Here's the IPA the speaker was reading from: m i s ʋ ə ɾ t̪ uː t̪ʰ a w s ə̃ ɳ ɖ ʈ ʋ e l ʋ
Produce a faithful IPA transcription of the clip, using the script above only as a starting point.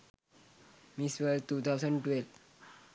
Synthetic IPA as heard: m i s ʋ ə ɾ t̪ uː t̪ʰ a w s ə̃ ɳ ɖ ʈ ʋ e l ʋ